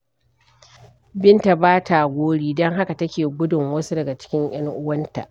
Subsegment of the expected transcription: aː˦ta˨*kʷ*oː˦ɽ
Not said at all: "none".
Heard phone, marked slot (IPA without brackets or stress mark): ɡʷ